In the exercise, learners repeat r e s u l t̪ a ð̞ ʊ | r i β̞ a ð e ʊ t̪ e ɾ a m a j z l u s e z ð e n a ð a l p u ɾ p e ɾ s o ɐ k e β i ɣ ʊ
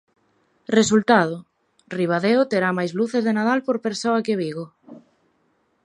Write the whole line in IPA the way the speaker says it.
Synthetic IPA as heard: r e s u l t̪ a ð̞ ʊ | r i β̞ a ð e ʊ t̪ e ɾ a m a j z l u θ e z ð e n a ð a l p o ɾ p e ɾ s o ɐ k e β i ɣ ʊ